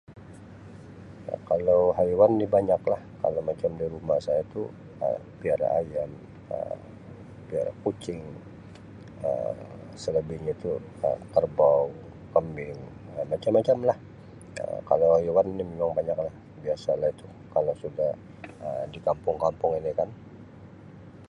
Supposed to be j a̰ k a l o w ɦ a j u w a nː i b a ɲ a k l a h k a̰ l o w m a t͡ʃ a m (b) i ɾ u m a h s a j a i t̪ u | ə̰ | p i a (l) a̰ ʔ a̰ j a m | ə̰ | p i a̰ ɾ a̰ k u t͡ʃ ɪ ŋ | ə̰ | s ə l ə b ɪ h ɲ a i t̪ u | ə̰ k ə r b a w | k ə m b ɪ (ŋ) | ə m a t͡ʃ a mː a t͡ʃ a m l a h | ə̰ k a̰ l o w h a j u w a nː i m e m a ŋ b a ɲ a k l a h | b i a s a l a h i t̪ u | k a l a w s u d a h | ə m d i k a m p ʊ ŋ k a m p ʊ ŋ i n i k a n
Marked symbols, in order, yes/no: no, no, yes

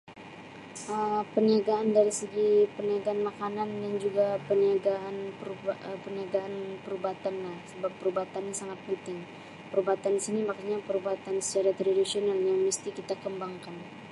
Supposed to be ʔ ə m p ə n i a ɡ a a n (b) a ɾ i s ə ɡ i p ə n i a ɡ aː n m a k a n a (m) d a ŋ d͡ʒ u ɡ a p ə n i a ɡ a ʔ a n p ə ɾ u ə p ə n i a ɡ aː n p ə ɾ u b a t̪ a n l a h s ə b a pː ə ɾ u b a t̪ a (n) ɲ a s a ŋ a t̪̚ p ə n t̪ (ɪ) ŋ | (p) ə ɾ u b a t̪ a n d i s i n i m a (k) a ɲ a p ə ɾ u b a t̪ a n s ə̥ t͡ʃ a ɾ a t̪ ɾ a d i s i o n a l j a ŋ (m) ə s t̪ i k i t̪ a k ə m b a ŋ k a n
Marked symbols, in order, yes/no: no, no, yes, yes, yes, yes, yes

